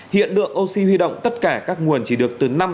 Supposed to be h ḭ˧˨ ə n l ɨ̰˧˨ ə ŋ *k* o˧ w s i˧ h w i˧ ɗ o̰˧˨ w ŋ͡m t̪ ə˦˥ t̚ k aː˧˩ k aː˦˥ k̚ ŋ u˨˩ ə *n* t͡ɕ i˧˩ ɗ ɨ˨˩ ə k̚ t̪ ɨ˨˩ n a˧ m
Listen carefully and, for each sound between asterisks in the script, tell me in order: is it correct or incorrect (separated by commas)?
incorrect, correct